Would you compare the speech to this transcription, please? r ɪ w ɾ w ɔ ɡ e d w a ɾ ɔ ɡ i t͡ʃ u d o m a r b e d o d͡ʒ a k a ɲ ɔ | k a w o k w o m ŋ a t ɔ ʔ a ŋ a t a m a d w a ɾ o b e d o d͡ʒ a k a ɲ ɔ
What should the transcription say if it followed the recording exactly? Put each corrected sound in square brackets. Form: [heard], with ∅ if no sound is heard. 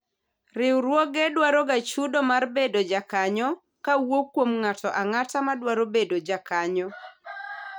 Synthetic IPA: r ɪ w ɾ w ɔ ɡ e d w a ɾ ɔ ɡ [a] t͡ʃ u d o m a r b e d o d͡ʒ a k a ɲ ɔ | k a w o k w o m ŋ a t ɔ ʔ a ŋ a t a m a d w a ɾ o b e d o d͡ʒ a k a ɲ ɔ